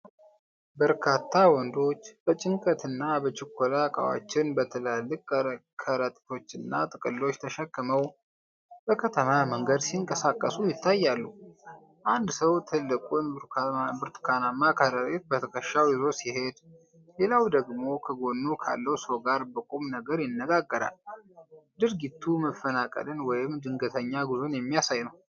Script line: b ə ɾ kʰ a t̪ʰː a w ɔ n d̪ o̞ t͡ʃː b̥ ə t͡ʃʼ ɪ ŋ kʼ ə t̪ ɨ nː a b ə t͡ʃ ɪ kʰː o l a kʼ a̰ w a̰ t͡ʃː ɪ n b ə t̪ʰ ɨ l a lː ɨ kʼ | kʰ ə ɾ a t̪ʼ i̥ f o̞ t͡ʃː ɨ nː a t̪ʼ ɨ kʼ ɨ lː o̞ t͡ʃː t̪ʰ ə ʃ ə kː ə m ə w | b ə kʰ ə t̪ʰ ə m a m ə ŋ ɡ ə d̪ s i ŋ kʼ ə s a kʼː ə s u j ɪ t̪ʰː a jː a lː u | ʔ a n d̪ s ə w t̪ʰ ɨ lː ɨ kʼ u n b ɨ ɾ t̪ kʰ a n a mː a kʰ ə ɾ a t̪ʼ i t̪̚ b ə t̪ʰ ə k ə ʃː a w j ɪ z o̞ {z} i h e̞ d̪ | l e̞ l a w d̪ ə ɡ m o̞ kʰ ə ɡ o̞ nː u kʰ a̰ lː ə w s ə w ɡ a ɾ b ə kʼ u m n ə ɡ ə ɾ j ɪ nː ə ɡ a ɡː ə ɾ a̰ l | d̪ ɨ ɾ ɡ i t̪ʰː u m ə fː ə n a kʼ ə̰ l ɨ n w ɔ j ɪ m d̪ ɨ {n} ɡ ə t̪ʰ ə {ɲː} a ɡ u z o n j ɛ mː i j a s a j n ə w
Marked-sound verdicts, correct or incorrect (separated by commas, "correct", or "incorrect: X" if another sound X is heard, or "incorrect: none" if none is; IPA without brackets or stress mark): incorrect: s, incorrect: ŋ, correct